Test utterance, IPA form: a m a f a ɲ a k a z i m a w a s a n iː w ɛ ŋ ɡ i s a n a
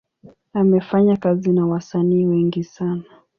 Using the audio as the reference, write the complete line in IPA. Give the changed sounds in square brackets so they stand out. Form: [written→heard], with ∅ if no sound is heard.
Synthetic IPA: a m [a→ɛ] f a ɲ a k a z i [m→n] a w a s a n iː w ɛ ŋ ɡ i s a n a